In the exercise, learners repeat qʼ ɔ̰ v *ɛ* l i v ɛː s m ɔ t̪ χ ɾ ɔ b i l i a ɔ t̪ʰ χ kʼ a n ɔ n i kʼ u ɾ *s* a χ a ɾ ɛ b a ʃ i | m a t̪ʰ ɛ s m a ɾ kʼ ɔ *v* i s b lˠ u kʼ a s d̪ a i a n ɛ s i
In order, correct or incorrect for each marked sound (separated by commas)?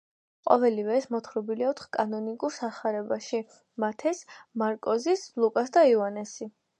correct, correct, incorrect